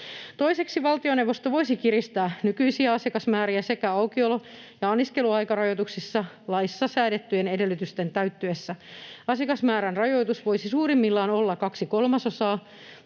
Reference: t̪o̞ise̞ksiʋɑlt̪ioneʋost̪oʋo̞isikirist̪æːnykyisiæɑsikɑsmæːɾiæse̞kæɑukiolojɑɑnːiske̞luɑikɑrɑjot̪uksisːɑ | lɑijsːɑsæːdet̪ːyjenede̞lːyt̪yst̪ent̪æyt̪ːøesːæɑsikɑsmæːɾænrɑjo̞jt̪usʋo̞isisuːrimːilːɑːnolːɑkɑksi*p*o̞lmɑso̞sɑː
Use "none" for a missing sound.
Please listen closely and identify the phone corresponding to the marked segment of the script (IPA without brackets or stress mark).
k